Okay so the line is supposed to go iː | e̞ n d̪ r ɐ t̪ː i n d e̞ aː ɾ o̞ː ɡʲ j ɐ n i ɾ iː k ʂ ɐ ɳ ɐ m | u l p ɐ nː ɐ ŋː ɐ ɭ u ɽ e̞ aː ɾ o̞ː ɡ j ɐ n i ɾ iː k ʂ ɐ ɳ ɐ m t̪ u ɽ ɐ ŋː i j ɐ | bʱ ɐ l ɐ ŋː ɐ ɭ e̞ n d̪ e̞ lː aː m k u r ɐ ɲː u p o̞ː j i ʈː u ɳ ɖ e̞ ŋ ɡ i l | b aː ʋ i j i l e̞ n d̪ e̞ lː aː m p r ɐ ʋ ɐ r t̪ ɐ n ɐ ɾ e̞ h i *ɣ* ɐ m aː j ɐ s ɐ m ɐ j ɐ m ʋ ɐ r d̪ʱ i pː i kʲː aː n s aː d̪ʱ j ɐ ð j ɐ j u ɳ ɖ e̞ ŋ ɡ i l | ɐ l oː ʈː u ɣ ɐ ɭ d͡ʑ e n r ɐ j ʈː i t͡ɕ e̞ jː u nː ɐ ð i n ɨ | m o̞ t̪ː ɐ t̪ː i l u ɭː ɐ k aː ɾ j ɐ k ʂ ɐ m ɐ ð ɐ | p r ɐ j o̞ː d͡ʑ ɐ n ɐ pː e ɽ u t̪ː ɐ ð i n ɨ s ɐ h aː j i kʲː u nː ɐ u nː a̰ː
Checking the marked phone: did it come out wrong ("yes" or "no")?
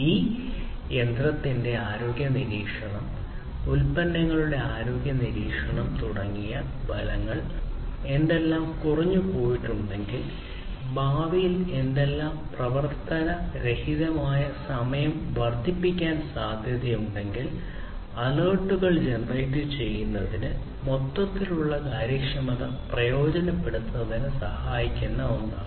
yes